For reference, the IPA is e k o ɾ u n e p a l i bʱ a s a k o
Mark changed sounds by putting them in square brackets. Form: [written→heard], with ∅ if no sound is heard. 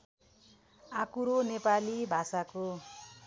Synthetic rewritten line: [e→a] k [o→u] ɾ [u→o] n e p a l i bʱ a s a k o

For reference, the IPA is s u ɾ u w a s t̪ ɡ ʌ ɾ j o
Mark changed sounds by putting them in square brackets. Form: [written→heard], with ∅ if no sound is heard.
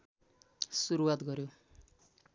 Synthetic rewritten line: s u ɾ u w a [s→∅] t̪ ɡ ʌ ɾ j o

